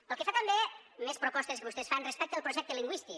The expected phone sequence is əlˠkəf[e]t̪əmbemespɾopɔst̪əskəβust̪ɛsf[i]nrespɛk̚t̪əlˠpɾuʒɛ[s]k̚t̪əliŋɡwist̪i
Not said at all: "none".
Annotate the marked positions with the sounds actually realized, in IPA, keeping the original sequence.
a, a, none

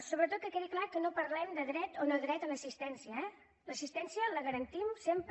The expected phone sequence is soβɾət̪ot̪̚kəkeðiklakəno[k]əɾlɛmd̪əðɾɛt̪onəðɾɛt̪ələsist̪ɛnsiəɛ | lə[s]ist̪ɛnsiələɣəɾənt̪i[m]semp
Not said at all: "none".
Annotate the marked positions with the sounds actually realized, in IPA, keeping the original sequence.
p, s, m

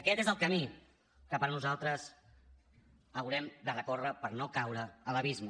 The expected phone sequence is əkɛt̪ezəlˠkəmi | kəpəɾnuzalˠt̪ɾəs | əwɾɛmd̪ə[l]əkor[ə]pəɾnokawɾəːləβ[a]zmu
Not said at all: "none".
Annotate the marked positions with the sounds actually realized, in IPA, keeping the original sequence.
r, ə, i

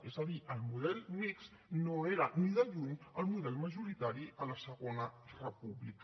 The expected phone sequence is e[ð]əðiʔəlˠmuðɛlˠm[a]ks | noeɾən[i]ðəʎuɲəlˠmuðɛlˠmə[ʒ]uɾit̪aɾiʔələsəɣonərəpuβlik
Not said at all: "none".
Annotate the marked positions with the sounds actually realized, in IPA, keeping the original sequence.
z, i, i, ʒ

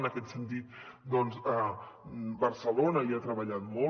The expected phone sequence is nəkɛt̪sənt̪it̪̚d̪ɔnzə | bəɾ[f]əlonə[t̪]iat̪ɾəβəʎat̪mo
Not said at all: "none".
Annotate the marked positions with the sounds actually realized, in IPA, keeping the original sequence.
s, none

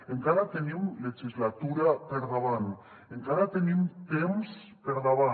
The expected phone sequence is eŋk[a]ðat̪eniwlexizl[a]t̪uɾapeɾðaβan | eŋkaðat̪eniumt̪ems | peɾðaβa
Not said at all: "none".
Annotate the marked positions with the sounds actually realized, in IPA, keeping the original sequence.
a, a

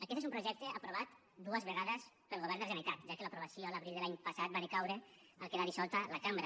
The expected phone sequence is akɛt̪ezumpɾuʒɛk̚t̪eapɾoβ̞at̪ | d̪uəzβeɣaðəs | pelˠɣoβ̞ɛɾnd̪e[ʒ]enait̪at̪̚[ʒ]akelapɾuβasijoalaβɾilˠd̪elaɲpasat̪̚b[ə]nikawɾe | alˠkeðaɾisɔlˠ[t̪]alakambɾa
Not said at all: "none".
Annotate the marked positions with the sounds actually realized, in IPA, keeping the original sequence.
ʒ, ʒ, a, t̪

